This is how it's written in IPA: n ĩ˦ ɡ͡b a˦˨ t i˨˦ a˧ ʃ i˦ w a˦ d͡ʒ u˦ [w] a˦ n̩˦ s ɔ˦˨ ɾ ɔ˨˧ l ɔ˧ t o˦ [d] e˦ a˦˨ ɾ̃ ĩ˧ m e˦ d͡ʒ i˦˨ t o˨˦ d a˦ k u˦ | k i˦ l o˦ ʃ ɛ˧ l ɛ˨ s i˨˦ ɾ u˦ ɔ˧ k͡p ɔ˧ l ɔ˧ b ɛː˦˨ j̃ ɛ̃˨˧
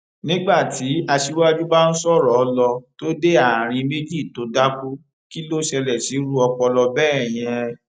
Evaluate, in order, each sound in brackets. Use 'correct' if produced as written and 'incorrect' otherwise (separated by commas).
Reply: incorrect, correct